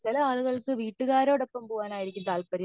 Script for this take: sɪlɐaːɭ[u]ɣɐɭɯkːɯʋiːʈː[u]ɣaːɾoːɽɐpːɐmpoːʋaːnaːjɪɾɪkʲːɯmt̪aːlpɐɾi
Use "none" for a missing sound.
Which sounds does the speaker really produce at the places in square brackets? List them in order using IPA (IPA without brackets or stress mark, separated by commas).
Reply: ɯ, ɯ